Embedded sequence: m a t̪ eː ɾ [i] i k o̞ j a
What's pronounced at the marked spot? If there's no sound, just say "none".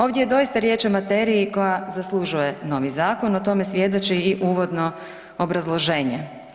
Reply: i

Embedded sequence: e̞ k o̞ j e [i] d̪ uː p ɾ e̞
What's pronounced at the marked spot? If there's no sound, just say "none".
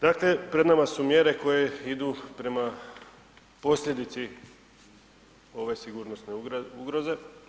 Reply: i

